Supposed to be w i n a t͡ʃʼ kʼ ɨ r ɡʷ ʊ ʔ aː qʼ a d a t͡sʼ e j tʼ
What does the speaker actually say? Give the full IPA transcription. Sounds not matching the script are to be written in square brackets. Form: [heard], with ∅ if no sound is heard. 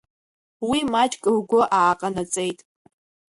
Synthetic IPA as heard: w i [m] a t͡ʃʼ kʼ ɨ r ɡʷ ʊ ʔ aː qʼ a [n] a t͡sʼ e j tʼ